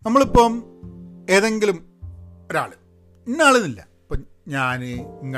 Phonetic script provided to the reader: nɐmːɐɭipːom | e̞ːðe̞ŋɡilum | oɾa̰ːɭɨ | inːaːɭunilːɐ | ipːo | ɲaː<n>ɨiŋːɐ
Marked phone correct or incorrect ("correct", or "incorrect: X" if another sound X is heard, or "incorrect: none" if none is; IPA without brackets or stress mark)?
correct